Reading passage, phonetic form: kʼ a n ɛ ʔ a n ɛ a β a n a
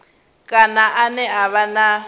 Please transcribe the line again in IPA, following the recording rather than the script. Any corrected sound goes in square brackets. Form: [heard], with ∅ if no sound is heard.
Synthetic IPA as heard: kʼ a n [a] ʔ a n ɛ a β a n a